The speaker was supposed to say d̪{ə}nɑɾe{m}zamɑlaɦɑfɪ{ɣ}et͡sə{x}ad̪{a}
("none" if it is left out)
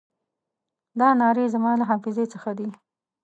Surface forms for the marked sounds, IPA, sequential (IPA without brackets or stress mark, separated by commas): ɑ, none, z, x, i